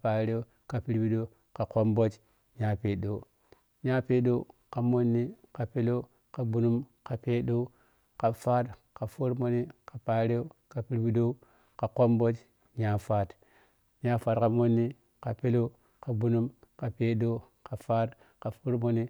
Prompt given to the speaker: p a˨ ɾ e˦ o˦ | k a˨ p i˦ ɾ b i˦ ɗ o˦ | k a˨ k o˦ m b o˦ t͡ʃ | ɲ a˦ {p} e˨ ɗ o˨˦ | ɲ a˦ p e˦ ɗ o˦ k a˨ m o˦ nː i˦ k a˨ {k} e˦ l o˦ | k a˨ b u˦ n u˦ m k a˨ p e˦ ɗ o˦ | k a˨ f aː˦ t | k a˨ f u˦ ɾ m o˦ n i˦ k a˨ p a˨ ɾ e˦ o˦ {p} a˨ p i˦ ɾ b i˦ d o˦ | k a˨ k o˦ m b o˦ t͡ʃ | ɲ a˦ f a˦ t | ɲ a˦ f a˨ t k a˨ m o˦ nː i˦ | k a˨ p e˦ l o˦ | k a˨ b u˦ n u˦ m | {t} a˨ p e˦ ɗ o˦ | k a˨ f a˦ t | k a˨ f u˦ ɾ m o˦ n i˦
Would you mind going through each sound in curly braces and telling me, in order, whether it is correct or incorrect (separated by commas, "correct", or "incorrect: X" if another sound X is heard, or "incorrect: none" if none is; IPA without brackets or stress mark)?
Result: correct, incorrect: p, incorrect: k, incorrect: k